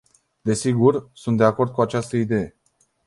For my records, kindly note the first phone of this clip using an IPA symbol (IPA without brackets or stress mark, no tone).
d̪